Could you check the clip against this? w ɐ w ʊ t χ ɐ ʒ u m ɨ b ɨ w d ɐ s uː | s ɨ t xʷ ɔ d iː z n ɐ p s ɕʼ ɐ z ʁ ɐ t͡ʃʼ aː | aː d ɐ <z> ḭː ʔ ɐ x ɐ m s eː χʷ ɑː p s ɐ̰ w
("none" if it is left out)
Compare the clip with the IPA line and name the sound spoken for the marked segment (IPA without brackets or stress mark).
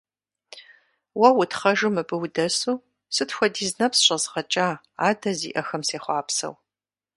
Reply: z